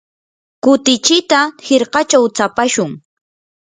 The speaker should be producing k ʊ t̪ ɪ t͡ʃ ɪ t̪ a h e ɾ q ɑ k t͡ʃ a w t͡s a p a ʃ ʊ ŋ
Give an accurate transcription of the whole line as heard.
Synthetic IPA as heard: k ʊ t̪ ɪ t͡ʃ ɪ t̪ a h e ɾ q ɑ t͡ʃ a w t͡s a p a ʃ ʊ ŋ